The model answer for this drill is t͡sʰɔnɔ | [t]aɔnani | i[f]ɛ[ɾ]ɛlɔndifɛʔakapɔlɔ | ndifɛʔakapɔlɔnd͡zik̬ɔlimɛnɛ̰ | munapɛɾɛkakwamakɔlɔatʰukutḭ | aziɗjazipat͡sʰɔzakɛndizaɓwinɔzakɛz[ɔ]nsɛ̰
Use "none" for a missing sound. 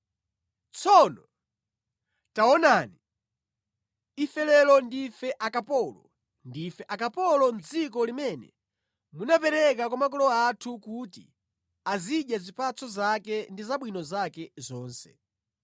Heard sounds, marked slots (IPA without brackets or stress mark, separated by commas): t, f, l, ɔː